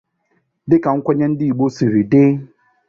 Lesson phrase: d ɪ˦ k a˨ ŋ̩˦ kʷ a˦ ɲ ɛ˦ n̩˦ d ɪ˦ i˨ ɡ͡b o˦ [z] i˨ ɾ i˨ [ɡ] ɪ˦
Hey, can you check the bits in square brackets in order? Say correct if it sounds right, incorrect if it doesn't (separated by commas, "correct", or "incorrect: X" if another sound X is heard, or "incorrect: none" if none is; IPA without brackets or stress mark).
incorrect: s, incorrect: d